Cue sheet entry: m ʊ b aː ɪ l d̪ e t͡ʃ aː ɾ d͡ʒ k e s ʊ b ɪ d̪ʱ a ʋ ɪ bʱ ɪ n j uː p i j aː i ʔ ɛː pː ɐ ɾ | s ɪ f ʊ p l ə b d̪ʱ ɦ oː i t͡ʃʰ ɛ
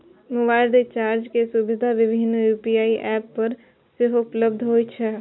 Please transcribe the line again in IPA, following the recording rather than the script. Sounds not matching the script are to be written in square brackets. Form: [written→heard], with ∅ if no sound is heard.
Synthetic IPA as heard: m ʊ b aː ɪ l d̪ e t͡ʃ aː ɾ d͡ʒ k e s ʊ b ɪ d̪ʱ a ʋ ɪ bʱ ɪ n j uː p i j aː i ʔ ɛː pː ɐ ɾ | s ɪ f ʊ p l ə b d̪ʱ ɦ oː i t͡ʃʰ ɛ